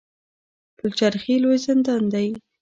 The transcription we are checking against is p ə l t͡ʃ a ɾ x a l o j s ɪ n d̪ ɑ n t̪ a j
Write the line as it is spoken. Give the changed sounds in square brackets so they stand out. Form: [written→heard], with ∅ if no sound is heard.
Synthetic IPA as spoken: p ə l t͡ʃ a ɾ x [a→i] l o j [s→z] ɪ n d̪ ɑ n [t̪→d̪] a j